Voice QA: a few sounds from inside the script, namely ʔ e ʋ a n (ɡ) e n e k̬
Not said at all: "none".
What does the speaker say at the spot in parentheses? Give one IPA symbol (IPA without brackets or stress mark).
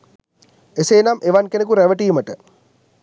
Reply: k